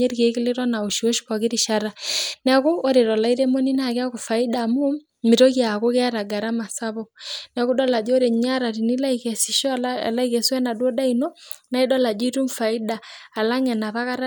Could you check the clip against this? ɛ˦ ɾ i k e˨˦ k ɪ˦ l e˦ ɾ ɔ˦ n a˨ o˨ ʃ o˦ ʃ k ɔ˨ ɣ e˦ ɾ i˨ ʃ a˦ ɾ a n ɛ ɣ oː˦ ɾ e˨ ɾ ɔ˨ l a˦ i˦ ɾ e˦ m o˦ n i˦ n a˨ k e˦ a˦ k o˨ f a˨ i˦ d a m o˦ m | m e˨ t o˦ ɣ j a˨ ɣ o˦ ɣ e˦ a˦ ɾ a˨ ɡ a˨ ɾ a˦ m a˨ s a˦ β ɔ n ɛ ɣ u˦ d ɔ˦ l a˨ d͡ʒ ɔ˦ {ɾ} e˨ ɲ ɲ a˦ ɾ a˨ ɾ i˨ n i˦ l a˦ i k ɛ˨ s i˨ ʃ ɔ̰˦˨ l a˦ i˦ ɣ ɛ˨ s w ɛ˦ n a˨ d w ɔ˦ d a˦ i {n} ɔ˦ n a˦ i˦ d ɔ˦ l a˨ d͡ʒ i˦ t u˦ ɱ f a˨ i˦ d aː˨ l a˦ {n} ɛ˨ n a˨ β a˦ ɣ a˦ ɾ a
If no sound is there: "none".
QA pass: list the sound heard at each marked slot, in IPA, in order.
ɾ, n, ŋ

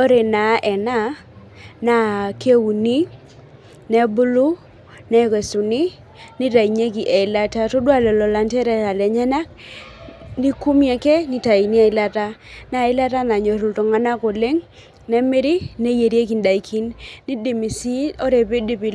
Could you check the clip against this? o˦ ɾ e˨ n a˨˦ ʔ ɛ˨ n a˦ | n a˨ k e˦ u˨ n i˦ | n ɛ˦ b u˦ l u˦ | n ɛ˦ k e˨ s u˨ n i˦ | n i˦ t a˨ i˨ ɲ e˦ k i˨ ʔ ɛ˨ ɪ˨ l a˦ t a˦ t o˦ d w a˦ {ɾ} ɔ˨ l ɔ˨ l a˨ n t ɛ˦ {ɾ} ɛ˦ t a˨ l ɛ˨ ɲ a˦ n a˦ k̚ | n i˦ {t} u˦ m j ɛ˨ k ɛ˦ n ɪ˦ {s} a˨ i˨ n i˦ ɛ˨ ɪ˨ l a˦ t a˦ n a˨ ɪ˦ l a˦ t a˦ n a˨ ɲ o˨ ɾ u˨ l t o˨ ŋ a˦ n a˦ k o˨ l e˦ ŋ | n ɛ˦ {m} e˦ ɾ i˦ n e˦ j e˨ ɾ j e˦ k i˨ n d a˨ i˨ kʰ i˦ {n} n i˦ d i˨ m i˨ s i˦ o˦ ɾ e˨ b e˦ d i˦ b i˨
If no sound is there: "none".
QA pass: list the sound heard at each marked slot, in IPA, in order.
l, ɾ, k, t, m, n

